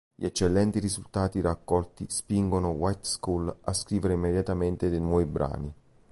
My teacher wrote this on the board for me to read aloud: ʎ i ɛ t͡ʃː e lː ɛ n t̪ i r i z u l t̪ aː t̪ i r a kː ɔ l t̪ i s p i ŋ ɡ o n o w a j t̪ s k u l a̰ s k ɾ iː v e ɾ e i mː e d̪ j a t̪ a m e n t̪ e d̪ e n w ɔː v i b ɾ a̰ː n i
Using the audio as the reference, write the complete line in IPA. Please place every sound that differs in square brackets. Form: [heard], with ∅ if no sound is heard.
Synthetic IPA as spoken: ʎ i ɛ t͡ʃː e lː ɛ n t̪ i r i z u l t̪ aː t̪ i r a kː ɔ l t̪ i s p i ŋ ɡ o n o w a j t̪ s k u l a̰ s k ɾ iː v e ɾ e i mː e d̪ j a t̪ a m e n t̪ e d̪ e n w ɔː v i b ɾ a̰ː n i